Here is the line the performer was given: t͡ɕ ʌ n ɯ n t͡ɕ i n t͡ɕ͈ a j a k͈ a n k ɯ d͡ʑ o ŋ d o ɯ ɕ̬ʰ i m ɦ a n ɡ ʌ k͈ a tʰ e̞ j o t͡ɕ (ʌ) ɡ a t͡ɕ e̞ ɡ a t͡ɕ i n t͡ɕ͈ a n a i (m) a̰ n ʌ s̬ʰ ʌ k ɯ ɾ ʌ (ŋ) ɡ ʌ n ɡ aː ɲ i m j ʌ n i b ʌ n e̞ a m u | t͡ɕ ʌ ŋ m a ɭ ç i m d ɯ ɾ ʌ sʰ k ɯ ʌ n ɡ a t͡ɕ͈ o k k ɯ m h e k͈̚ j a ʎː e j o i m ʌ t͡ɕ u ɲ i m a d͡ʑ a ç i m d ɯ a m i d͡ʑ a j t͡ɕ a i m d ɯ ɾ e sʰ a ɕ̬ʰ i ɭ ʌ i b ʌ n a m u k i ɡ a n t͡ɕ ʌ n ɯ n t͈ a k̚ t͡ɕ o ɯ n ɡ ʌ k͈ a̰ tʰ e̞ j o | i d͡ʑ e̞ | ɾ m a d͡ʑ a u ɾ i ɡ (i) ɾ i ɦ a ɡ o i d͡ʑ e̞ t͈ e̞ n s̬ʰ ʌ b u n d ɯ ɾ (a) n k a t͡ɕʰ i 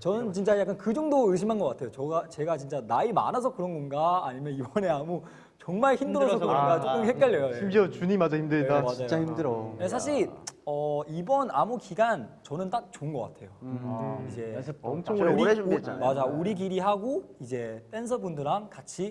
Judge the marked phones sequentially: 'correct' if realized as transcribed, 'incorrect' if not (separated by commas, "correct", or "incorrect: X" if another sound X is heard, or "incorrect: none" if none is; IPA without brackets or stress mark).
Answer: correct, correct, incorrect: n, correct, correct